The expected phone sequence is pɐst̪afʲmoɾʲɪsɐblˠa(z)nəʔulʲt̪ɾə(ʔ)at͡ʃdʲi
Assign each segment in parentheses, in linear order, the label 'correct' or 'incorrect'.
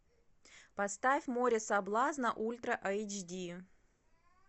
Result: correct, correct

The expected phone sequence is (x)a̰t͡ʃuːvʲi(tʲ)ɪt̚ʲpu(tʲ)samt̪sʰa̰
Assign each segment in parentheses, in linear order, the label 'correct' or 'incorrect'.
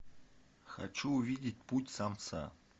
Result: correct, incorrect, correct

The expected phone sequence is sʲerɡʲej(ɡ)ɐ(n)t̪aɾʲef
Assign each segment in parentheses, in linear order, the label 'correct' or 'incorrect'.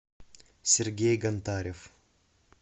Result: correct, correct

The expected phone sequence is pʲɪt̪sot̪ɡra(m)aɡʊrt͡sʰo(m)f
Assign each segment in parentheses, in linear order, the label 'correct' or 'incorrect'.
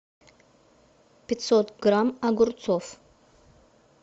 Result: correct, incorrect

